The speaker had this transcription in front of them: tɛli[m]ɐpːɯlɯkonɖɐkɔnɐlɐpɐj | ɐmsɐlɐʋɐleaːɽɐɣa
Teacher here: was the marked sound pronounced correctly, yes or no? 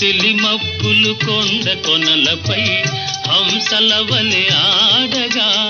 yes